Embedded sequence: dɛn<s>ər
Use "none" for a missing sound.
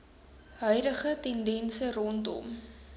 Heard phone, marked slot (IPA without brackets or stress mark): s